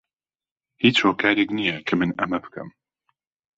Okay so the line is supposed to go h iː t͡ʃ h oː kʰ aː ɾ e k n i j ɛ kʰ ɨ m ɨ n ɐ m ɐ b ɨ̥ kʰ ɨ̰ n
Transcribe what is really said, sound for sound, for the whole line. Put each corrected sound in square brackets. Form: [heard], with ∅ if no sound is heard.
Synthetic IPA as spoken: h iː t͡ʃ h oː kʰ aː ɾ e k n i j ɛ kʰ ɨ m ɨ n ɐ m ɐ b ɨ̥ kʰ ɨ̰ [m]

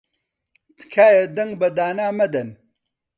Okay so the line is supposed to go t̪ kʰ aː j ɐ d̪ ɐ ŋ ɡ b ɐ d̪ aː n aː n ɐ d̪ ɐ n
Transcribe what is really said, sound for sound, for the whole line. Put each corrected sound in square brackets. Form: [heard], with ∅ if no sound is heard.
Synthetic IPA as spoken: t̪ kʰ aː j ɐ d̪ ɐ ŋ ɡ b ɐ d̪ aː n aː [m] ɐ d̪ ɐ n

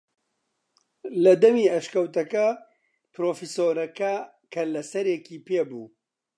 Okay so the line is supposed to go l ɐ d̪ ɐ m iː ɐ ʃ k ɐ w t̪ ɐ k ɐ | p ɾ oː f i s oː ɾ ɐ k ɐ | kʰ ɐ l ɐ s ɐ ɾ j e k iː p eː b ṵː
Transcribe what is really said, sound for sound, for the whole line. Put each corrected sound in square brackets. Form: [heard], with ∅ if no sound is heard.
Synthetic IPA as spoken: l ɐ d̪ ɐ m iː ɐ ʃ k ɐ w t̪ ɐ k ɐ | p ɾ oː f i s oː ɾ ɐ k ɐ | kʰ ɐ l ɐ s ɐ ɾ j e k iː p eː b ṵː

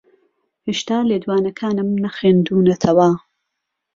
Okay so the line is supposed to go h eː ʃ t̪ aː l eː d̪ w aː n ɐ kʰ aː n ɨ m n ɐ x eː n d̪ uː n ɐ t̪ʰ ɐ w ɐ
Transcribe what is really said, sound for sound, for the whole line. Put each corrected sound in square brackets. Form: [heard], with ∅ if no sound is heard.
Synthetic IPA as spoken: h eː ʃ t̪ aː l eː d̪ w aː n ɐ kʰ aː n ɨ m n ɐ x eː n d̪ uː n ɐ t̪ʰ ɐ w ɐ

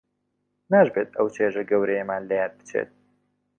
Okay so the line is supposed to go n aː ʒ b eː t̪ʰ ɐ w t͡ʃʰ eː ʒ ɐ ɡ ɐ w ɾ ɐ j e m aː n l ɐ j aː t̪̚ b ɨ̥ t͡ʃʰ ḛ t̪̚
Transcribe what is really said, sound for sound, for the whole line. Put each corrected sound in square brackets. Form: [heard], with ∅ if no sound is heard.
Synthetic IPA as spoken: n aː ʒ b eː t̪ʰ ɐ w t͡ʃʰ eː ʒ ɐ ɡ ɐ w ɾ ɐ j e m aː n l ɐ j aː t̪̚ b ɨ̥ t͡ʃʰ ḛ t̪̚

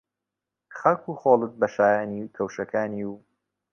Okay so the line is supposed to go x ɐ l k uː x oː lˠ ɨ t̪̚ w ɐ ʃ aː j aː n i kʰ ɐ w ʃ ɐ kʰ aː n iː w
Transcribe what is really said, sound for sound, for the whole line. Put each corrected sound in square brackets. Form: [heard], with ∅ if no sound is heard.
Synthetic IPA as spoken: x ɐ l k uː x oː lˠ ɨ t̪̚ [b] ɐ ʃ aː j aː n i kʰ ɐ w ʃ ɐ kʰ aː n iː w

